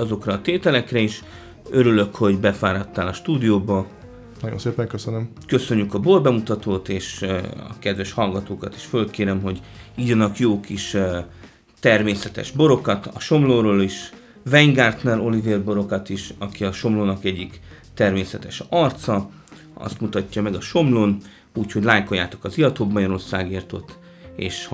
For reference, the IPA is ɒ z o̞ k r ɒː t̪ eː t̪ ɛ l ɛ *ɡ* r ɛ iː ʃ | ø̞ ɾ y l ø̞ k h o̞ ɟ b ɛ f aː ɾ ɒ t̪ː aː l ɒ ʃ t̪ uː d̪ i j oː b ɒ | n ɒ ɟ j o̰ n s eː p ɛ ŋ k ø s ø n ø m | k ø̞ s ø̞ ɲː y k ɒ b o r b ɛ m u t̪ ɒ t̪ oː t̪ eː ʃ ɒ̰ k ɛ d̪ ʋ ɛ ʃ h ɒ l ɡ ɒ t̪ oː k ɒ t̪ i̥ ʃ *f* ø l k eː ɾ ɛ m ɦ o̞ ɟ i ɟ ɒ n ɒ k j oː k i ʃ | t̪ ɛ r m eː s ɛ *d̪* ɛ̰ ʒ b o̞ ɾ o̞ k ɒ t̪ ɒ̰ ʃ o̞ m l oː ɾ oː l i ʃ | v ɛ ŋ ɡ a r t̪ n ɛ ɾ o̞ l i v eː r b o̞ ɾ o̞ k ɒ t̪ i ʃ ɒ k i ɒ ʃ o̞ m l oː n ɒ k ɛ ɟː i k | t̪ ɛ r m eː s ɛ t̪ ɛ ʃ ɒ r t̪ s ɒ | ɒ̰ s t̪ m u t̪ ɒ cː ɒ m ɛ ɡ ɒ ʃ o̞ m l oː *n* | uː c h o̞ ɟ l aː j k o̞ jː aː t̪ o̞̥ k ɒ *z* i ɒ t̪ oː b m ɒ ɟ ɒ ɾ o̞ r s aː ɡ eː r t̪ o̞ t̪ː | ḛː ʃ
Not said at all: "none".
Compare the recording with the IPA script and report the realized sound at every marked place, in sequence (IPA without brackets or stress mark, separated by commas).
k, f, t̪, n, z